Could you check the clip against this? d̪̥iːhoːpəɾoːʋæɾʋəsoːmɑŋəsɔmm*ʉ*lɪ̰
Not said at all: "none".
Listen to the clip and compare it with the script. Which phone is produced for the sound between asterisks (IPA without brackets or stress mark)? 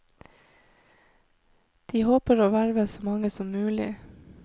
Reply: ʉː